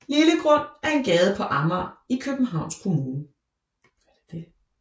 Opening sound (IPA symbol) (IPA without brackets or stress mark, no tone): l